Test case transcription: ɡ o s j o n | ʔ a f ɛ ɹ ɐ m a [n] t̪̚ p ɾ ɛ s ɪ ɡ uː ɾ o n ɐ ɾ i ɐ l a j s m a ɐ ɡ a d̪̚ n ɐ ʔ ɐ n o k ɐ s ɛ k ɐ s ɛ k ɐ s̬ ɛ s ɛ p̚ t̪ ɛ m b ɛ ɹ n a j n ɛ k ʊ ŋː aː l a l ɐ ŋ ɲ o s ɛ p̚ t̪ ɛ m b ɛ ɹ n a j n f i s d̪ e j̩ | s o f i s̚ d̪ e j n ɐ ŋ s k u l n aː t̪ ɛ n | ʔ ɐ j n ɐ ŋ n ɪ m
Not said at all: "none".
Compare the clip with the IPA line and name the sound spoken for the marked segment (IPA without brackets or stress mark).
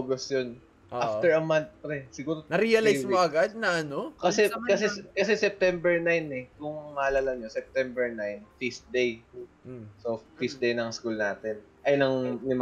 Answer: n